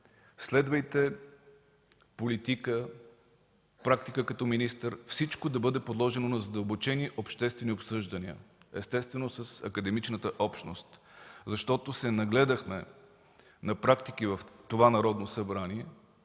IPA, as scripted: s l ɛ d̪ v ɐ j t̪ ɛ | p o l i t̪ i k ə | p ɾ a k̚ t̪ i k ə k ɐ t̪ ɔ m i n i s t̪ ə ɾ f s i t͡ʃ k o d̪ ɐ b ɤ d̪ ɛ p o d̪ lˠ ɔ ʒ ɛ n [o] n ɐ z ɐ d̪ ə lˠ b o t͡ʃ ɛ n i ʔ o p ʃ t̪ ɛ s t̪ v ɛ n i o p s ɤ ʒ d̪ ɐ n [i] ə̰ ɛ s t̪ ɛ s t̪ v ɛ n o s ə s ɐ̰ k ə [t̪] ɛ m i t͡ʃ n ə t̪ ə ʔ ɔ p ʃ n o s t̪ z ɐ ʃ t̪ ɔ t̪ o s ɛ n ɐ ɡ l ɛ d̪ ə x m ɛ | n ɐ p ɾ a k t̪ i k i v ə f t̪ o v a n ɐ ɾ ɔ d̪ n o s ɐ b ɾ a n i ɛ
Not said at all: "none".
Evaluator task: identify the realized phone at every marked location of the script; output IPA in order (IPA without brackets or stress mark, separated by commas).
o, i, d̪